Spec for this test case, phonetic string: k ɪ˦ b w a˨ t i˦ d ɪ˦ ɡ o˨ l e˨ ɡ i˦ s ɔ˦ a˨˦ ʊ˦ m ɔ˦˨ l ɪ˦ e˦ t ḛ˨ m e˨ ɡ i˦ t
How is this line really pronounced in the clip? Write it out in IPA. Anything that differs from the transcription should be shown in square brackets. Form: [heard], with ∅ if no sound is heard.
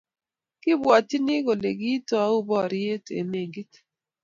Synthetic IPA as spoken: k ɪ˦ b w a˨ t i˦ [n] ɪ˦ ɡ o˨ l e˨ ɡ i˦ [t] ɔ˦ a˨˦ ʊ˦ [b] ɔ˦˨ [ɾ] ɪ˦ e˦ t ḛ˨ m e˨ ɡ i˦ t